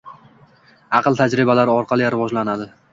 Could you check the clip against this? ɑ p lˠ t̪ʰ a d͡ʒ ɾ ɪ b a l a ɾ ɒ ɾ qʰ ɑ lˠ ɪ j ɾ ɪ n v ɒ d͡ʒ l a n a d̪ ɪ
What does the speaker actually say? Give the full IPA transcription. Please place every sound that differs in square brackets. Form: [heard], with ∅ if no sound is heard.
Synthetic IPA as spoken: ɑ [q] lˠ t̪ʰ a d͡ʒ ɾ ɪ b a l a ɾ ɒ ɾ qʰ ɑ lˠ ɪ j ɾ ɪ [∅] v ɒ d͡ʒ l a n a d̪ ɪ